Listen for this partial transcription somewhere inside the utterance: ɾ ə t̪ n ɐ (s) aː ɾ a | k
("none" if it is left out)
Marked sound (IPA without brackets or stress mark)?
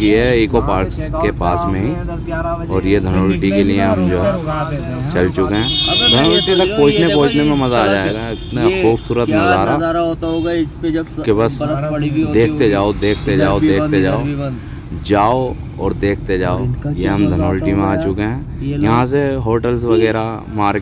z